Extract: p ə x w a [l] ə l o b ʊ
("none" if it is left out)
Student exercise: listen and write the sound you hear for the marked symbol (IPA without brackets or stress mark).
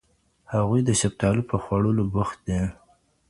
ɽ